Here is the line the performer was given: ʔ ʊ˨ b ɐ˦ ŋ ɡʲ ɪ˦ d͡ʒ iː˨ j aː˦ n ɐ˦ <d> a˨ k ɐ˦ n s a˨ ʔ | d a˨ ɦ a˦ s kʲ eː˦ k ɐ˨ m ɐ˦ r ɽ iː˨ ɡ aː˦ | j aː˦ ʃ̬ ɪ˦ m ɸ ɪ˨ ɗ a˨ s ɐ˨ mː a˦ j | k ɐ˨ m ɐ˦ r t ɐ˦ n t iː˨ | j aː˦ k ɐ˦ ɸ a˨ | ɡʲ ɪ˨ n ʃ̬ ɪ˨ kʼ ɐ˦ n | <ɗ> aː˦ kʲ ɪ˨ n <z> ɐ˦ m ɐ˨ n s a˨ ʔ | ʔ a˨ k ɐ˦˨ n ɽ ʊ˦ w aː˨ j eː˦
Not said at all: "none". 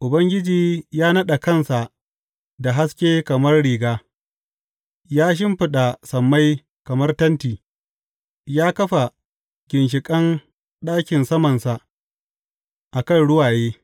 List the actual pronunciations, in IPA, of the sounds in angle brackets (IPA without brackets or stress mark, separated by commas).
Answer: ɗ, ɗ, s